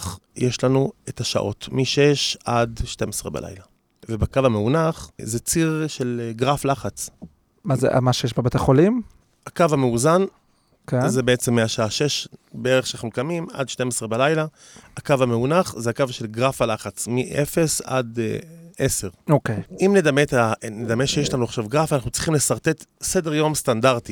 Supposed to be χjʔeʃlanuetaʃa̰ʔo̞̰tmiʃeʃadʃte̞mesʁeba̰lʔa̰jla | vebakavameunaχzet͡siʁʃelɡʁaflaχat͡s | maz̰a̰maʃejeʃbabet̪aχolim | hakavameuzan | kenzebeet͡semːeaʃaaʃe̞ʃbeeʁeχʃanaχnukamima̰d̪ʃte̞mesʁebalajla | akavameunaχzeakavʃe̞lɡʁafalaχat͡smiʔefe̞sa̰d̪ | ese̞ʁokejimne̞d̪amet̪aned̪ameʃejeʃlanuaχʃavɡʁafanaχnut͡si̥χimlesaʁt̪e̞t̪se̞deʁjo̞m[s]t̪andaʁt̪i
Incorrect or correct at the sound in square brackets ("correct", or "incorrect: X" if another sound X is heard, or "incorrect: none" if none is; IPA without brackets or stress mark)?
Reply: correct